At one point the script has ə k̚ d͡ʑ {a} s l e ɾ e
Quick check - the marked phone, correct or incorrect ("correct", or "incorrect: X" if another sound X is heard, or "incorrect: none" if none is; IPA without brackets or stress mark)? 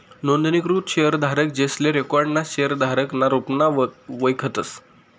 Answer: incorrect: e